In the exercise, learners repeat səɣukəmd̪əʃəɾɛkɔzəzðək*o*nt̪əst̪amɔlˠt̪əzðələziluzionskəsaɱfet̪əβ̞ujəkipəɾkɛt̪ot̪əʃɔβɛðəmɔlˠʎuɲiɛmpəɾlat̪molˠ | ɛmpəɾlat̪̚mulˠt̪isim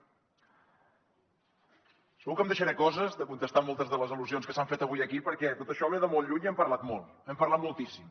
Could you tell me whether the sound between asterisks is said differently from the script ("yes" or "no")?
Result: yes